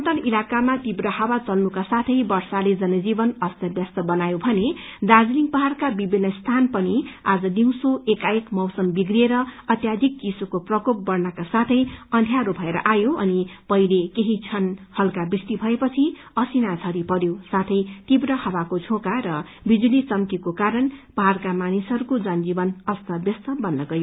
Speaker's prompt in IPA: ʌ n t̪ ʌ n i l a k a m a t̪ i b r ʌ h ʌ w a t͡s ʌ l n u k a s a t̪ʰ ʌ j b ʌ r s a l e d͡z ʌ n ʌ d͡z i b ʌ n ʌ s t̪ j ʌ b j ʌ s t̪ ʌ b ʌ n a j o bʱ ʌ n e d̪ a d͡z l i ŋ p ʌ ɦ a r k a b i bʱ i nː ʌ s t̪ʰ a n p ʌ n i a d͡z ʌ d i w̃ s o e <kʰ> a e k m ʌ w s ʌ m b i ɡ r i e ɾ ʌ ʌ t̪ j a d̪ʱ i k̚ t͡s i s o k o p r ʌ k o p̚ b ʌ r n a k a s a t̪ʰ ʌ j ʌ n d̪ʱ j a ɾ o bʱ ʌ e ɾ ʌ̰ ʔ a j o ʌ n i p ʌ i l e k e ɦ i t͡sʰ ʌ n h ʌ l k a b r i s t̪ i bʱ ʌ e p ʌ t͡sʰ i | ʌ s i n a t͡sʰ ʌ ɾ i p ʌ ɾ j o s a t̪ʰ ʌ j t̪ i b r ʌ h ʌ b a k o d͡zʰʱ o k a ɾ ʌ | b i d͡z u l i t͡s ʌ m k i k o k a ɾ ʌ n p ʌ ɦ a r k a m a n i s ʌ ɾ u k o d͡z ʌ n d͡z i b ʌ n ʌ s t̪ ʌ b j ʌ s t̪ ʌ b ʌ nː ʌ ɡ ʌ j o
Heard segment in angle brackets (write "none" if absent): k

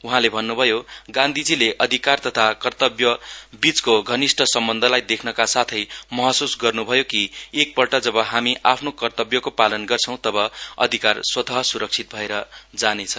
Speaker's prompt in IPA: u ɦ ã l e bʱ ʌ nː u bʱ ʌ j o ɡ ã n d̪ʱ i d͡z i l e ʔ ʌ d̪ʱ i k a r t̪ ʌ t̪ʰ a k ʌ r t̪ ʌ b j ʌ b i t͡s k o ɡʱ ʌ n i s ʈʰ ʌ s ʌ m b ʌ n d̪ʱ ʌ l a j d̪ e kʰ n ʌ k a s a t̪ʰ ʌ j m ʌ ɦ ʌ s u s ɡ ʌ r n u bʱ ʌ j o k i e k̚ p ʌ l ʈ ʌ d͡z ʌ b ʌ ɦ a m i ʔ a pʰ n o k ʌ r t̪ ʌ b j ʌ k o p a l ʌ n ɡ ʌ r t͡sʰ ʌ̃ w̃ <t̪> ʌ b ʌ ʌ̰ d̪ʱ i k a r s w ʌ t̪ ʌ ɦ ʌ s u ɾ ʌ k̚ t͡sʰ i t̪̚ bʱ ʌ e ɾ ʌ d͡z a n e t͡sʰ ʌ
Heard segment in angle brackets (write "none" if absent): t̪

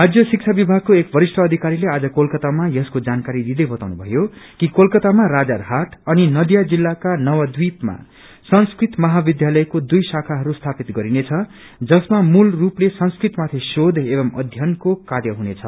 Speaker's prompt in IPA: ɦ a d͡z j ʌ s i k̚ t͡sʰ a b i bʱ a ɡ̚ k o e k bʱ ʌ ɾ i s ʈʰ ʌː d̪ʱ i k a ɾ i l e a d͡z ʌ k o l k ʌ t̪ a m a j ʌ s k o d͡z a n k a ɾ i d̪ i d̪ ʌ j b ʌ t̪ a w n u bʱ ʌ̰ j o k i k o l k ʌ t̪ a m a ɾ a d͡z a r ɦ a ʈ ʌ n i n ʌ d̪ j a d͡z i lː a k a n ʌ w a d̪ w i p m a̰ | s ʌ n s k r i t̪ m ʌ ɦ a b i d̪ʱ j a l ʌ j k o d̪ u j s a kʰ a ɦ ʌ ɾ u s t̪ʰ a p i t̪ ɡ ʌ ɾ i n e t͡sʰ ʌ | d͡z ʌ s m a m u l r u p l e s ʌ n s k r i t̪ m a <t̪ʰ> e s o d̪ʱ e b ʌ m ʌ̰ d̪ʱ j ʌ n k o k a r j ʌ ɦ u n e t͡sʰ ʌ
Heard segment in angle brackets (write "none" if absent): t̪ʰ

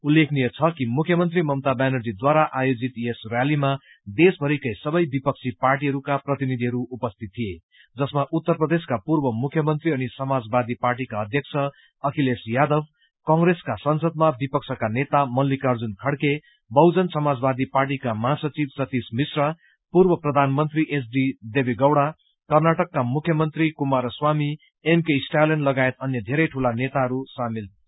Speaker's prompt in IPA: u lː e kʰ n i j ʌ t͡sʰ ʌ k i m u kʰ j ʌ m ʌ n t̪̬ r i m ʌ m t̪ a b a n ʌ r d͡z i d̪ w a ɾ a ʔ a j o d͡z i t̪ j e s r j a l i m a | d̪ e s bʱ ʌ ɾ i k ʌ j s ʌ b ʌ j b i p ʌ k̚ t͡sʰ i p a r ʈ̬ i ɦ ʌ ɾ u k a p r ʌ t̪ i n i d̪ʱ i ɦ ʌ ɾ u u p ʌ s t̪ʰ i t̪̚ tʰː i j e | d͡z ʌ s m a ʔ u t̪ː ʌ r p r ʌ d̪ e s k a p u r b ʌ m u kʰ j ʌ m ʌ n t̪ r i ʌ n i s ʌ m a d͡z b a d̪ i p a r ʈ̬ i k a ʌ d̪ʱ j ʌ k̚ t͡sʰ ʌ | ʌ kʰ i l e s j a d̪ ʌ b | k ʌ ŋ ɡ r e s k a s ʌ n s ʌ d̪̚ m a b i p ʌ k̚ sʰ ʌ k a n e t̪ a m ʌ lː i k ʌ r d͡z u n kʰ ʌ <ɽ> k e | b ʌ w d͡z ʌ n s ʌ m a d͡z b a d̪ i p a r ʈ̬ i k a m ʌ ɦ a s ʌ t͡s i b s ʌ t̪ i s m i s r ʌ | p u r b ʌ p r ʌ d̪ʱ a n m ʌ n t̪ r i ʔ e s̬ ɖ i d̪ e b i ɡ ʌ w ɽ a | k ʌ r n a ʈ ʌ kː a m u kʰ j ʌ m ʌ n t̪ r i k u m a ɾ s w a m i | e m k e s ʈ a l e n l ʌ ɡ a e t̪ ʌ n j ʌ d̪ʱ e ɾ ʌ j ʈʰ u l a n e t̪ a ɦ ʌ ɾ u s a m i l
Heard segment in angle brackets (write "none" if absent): ɽ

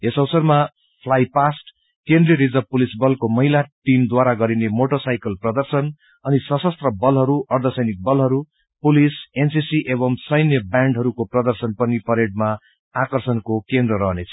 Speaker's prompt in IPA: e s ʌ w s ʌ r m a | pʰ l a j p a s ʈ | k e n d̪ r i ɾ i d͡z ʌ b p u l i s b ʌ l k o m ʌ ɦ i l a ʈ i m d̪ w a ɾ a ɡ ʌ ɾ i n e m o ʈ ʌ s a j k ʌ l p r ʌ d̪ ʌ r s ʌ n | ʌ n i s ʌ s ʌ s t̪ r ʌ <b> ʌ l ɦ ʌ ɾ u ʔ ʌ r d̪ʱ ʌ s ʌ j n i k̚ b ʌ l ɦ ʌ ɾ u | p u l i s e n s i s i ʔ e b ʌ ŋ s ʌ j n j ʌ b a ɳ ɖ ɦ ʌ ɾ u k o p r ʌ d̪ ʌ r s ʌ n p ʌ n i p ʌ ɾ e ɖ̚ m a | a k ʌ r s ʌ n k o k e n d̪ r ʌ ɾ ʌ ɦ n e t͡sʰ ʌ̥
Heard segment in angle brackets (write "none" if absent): b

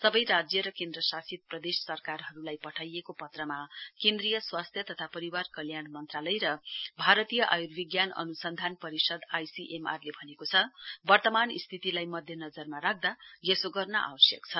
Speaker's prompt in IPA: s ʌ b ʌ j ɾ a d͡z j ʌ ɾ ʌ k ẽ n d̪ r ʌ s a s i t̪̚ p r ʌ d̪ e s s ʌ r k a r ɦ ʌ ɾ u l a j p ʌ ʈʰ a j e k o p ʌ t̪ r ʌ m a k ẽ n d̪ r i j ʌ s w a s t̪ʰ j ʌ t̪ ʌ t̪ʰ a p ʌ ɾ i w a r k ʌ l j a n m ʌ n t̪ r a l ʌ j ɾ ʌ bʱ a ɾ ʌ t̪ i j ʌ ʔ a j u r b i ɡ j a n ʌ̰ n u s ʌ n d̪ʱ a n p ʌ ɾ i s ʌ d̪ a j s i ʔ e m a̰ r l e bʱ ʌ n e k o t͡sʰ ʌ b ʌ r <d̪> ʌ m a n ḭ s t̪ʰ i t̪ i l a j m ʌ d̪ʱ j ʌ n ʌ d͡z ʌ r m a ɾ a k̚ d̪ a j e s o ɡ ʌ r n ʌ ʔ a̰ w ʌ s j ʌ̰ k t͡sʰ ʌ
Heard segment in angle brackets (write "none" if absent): t̪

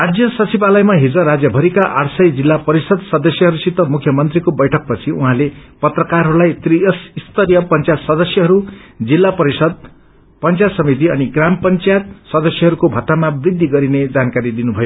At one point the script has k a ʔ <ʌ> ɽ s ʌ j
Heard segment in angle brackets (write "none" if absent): a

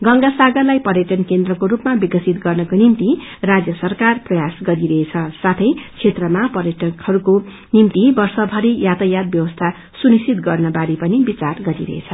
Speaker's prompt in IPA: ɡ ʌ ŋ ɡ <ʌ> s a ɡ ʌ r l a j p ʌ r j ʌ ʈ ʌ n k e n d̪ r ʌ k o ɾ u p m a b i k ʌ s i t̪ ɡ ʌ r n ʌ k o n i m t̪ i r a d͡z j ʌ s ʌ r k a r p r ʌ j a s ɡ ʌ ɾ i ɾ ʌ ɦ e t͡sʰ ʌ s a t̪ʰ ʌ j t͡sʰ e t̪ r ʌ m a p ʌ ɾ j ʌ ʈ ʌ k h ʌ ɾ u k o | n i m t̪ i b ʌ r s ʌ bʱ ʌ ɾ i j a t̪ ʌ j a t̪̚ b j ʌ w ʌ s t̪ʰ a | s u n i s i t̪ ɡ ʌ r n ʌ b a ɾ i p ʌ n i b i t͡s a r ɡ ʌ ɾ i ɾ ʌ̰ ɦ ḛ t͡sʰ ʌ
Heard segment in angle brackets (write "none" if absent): a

